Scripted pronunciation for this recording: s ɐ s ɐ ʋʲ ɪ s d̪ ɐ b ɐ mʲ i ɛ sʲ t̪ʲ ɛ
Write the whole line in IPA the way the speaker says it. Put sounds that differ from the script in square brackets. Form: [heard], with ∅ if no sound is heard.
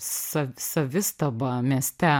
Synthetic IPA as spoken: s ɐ s ɐ ʋʲ ɪ s [t̪] ɐ b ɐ mʲ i ɛ sʲ t̪ʲ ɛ